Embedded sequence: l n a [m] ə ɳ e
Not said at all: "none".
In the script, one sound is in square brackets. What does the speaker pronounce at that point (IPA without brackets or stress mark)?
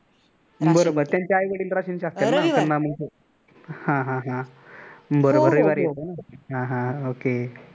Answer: m